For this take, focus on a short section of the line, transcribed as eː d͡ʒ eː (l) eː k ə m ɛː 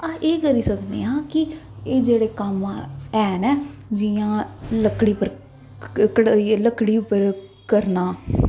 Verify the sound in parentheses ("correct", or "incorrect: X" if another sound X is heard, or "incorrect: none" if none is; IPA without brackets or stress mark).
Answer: incorrect: ɽ